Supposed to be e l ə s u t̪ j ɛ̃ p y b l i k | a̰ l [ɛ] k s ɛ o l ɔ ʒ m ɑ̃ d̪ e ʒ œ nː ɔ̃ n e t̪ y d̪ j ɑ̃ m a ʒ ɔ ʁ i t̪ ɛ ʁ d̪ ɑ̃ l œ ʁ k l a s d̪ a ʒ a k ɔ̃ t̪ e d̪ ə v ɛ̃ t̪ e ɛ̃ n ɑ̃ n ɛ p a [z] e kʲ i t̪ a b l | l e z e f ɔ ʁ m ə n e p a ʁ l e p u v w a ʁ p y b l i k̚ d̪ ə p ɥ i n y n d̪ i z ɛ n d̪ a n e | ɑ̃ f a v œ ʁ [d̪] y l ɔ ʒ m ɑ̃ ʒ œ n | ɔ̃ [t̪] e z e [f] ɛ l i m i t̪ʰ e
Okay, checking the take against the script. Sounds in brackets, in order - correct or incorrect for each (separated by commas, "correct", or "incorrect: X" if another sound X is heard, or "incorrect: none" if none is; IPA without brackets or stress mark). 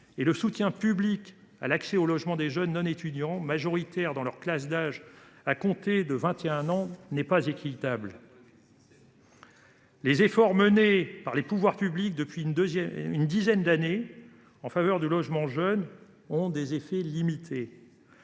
incorrect: a, correct, correct, incorrect: d̪, correct